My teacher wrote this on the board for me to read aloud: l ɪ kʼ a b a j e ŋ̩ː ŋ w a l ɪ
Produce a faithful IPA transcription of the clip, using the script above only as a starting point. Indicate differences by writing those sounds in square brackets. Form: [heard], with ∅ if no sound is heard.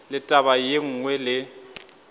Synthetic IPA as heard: l ɪ [tʼ] a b a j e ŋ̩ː ŋ w [ɛ] l ɪ